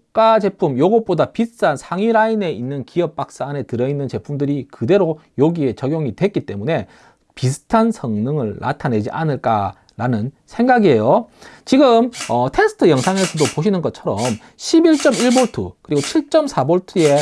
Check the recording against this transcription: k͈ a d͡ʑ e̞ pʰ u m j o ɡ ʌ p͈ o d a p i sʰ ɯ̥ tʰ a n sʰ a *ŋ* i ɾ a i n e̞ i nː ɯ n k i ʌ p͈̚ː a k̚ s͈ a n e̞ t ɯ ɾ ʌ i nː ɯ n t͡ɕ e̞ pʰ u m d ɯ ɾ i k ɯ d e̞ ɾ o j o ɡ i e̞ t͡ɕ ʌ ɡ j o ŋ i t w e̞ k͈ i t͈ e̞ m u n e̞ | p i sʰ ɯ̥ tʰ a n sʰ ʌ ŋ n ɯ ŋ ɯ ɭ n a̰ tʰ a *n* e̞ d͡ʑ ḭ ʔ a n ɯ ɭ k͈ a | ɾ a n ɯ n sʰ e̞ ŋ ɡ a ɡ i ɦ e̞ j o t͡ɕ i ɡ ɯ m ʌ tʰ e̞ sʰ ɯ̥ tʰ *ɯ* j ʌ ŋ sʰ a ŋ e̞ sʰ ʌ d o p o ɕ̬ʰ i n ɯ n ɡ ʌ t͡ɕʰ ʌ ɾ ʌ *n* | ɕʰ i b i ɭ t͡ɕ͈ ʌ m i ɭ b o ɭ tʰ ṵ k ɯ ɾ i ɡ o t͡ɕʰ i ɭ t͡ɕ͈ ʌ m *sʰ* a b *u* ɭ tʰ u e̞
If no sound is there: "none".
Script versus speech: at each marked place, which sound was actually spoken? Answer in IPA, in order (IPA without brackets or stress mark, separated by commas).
ŋ, n, ɯ, m, sʰ, o